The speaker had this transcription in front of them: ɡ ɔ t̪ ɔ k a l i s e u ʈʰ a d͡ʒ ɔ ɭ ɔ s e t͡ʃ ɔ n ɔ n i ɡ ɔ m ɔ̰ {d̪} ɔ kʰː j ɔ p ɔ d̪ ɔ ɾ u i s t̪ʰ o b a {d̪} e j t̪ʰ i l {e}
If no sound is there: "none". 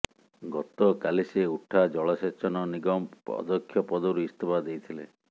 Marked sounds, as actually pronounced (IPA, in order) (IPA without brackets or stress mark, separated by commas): d̪, d̪, e